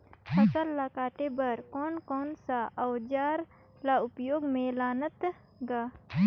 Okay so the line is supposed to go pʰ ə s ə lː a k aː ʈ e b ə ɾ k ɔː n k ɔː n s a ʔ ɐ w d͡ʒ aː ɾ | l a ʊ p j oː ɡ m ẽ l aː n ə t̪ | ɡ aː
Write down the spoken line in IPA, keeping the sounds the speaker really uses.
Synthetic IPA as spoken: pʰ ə s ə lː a k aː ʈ e b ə ɾ k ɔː n k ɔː n s a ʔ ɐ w d͡ʒ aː ɾ | l a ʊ p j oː ɡ m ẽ l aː n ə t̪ | ɡ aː

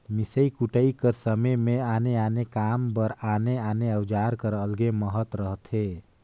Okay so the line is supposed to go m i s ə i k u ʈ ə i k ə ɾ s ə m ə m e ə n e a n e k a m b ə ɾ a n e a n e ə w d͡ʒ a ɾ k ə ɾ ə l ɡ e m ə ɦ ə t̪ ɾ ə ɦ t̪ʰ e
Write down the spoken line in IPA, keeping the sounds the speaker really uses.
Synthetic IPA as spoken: m i s ə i k u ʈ ə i k ə ɾ s ə m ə m e a n e a n e k a m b ə ɾ a n e a n e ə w d͡ʒ a ɾ k ə ɾ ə l ɡ e m ə ɦ ə t̪ ɾ ə ɦ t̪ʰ e

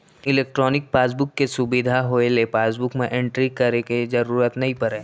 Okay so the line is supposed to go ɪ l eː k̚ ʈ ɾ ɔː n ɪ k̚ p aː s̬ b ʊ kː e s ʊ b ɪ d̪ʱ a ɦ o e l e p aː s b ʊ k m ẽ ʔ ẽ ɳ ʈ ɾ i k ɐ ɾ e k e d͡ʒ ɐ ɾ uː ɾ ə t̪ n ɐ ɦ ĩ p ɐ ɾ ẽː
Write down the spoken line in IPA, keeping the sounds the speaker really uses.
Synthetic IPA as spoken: ɪ l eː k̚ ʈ ɾ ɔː n ɪ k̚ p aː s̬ b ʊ kː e s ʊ b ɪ d̪ʱ a ɦ o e l e p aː s b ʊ k m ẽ ʔ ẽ ɳ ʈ ɾ i k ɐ ɾ e k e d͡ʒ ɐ ɾ uː ɾ ə t̪ n ɐ ɦ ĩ p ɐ ɾ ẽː

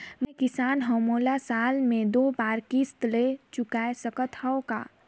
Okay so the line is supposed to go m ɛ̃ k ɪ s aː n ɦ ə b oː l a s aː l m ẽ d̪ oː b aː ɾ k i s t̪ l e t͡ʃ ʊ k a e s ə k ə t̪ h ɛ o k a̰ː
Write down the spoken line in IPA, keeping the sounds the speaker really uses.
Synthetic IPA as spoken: m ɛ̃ k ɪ s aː n ɦ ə m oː l a s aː l m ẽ d̪ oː b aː ɾ k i s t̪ l e t͡ʃ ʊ k a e s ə k ə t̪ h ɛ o k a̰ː

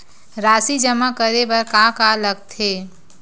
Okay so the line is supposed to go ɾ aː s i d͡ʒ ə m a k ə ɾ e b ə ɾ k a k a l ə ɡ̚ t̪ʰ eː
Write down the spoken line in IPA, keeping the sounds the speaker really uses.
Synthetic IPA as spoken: ɾ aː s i d͡ʒ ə m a k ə ɾ e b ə ɾ k a k a l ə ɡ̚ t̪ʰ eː

